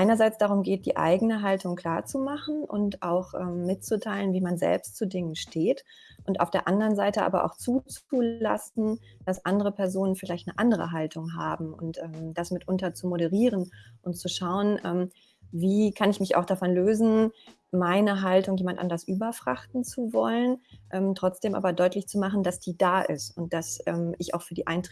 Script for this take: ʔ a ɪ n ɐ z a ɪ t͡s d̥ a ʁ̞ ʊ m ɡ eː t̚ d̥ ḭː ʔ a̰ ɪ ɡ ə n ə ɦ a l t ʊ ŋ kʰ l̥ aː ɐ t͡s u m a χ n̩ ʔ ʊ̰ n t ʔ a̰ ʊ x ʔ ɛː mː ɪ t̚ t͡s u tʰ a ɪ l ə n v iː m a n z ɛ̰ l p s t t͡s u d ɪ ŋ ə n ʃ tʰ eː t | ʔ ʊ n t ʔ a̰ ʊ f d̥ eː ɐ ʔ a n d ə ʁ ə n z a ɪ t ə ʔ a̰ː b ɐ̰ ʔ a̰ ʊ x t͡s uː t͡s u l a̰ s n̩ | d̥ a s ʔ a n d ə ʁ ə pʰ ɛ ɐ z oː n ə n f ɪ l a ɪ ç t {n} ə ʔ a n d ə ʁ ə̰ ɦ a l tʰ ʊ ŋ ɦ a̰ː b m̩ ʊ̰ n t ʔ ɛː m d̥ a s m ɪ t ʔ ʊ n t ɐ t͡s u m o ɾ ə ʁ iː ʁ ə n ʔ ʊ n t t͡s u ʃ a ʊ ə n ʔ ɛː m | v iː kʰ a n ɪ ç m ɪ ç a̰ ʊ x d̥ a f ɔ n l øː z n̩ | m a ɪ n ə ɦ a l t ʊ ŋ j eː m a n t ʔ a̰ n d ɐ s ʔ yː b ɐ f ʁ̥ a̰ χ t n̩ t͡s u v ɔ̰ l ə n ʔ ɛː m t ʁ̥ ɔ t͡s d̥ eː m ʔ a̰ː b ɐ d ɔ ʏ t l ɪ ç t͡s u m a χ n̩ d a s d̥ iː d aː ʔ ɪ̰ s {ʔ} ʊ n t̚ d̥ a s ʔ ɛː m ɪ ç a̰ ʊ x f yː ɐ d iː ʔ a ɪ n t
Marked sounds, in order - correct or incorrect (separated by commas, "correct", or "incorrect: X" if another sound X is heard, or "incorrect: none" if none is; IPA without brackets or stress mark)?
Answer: correct, incorrect: t